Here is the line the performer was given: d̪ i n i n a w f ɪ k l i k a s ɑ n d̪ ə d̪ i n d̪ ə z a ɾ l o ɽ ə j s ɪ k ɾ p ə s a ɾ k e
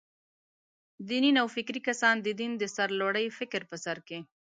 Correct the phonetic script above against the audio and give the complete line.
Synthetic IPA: d̪ i n i n a w f ɪ k ɾ i k a s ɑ n d̪ ə d̪ i n d̪ ə s a ɾ l o ɽ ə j f ɪ k ɾ p ə s a ɾ k e